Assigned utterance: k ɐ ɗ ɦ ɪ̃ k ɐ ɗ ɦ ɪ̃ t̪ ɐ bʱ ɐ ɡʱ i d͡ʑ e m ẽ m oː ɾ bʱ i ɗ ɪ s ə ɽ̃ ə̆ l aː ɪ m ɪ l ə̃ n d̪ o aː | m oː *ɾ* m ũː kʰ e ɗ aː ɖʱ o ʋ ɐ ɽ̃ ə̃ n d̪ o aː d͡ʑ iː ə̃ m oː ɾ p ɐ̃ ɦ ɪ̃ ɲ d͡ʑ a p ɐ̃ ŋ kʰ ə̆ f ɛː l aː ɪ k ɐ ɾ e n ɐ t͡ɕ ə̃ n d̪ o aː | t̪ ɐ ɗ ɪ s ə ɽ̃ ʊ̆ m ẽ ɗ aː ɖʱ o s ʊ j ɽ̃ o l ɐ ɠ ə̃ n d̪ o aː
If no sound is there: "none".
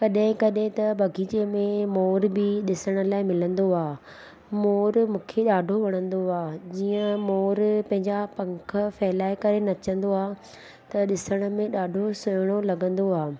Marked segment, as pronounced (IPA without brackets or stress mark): ɾ